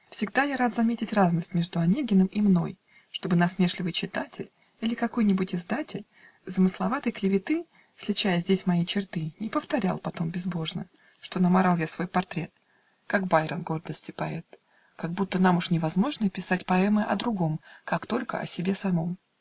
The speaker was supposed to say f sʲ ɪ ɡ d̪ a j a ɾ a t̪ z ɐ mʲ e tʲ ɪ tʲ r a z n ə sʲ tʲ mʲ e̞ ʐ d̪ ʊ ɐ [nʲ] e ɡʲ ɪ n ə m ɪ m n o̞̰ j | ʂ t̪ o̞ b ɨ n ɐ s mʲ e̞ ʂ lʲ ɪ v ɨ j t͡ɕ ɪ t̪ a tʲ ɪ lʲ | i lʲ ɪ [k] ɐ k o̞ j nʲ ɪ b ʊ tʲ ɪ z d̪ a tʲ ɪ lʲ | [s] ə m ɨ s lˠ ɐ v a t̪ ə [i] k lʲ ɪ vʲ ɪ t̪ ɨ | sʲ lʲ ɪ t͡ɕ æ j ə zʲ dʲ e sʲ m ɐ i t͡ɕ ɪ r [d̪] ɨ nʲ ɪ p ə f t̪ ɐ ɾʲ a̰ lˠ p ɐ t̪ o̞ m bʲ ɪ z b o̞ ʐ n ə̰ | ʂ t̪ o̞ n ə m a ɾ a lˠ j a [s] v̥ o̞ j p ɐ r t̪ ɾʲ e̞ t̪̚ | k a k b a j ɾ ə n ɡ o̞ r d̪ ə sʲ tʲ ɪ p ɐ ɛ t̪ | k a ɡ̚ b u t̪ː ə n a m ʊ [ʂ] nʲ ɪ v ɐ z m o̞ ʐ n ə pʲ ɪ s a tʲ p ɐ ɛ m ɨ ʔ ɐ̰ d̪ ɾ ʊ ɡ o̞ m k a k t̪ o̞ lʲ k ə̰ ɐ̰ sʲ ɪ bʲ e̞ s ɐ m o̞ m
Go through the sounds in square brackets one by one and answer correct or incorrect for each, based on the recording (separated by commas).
correct, correct, incorrect, incorrect, incorrect, correct, correct